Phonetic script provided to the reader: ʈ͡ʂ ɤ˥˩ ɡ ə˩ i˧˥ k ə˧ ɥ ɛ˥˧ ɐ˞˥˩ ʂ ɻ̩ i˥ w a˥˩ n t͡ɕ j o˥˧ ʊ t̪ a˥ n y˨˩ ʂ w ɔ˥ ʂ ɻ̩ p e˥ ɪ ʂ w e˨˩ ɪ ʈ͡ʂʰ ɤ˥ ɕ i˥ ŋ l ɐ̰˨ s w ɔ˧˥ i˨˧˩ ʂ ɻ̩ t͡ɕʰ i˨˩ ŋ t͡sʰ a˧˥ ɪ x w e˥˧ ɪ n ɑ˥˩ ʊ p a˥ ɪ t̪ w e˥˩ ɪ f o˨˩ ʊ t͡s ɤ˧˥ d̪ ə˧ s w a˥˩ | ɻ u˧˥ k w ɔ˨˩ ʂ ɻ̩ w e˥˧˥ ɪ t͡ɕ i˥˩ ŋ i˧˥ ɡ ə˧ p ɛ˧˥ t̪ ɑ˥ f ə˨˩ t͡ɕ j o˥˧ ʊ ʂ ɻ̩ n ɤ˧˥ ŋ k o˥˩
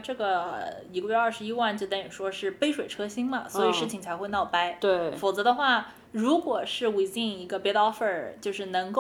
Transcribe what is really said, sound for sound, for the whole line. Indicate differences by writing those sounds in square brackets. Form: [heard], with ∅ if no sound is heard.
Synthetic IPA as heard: ʈ͡ʂ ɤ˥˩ ɡ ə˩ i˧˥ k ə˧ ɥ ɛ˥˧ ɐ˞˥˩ ʂ ɻ̩ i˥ w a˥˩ n t͡ɕ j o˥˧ ʊ t̪ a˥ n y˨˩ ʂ w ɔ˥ ʂ ɻ̩ p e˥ ɪ ʂ w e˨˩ ɪ ʈ͡ʂʰ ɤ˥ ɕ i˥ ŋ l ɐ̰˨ s w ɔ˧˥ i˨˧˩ ʂ ɻ̩ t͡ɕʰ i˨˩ ŋ t͡sʰ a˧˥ ɪ x w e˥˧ ɪ n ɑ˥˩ ʊ p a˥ ɪ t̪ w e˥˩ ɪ f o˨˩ ʊ t͡s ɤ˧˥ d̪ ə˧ [x] w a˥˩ | ɻ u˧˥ k w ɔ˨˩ ʂ ɻ̩ w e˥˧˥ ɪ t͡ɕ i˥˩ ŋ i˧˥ ɡ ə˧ p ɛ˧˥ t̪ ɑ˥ f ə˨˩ t͡ɕ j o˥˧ ʊ ʂ ɻ̩ n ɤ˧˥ ŋ k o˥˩